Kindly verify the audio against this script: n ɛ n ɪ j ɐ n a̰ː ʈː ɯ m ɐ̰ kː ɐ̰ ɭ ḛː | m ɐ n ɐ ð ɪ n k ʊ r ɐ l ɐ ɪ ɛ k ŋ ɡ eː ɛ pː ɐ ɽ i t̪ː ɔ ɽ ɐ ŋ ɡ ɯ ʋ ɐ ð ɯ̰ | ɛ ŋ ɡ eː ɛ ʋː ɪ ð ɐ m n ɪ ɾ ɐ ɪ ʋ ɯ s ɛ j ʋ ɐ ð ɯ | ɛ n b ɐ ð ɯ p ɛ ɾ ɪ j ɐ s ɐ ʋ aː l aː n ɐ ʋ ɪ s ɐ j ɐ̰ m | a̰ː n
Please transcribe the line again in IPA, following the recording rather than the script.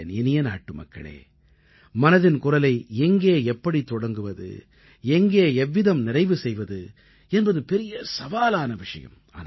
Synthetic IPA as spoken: n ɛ n ɪ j ɐ n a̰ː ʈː ɯ m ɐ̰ kː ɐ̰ ɭ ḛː | m ɐ n ɐ ð ɪ n k ʊ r ɐ l ɐ ɪ ɛ ŋ ɡ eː ɛ pː ɐ ɽ i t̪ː ɔ ɽ ɐ ŋ ɡ ɯ ʋ ɐ ð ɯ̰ | ɛ ŋ ɡ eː ɛ ʋː ɪ ð ɐ m n ɪ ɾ ɐ ɪ ʋ ɯ s ɛ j ʋ ɐ ð ɯ | ɛ n b ɐ ð ɯ p ɛ ɾ ɪ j ɐ s ɐ ʋ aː l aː n ɐ ʋ ɪ ʂ ɐ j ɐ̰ m | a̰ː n